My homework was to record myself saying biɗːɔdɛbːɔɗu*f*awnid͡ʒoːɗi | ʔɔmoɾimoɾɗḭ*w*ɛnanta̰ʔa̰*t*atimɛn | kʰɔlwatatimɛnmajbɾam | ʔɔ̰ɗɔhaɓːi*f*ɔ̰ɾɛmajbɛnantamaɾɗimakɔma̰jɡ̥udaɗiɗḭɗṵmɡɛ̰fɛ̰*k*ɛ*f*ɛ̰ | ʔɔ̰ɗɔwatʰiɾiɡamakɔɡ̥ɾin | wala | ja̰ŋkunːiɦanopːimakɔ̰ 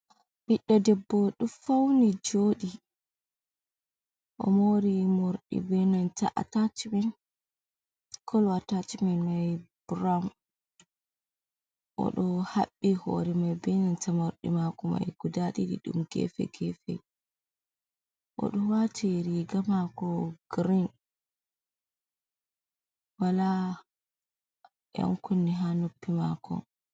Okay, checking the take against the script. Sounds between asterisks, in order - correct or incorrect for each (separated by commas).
correct, incorrect, correct, incorrect, incorrect, correct